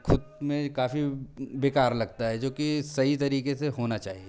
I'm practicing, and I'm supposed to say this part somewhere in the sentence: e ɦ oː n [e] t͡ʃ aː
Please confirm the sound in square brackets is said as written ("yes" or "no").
no